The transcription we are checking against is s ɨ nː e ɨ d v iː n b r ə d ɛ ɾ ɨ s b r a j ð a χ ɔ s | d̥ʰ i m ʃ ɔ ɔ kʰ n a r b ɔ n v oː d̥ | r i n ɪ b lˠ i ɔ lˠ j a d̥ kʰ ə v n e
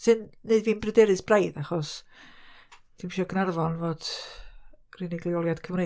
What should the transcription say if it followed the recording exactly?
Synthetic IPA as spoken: s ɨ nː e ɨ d v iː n b r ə d ɛ ɾ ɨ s b r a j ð a χ ɔ s | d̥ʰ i m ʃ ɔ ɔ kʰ n a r v ɔ n v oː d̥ | r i n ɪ ɡ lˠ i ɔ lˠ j a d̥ kʰ ə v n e